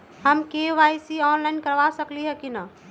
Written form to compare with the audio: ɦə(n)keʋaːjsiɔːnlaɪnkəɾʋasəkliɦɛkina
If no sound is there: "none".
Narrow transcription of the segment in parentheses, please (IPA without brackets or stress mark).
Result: m